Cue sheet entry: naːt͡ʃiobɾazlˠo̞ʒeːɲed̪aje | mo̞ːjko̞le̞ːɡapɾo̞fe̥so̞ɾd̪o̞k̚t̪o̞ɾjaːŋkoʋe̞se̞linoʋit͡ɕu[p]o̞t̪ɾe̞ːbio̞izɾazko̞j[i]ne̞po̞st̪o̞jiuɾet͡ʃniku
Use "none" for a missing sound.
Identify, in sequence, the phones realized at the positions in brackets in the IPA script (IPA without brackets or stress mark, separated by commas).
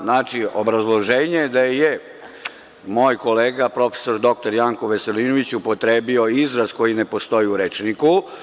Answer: p, i